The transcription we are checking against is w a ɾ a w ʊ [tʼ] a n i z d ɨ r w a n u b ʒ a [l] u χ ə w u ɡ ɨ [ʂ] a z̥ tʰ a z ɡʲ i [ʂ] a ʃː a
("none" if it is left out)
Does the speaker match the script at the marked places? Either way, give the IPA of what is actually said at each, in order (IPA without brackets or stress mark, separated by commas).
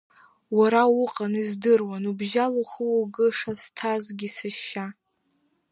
qʼ, l, ʂ, s